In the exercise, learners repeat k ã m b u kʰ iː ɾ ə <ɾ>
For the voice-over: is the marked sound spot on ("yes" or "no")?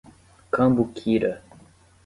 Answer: no